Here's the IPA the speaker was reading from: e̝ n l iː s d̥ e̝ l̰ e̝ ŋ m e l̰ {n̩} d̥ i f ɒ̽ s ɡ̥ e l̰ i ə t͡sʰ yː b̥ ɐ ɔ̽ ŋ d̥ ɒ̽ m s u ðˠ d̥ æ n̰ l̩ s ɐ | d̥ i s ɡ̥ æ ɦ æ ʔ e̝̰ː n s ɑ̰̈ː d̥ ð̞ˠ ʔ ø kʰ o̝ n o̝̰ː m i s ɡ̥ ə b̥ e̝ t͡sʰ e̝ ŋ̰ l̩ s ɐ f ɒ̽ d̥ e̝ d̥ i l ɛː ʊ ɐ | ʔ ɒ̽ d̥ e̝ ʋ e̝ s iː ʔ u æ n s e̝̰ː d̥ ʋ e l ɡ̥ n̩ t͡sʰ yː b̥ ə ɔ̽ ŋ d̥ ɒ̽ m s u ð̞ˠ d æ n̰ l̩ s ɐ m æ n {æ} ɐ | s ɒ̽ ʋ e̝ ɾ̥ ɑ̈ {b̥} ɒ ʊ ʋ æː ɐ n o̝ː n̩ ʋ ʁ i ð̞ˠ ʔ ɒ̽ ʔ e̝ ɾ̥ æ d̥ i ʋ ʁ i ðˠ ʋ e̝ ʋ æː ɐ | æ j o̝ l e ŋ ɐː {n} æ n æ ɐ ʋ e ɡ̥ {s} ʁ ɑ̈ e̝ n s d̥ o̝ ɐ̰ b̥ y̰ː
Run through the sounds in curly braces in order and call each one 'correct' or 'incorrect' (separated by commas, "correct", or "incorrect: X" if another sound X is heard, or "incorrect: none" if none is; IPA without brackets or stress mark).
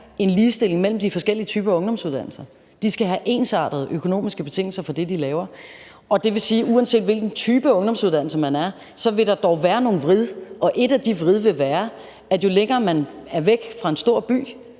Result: incorrect: m̩, correct, incorrect: d̥, incorrect: m, incorrect: f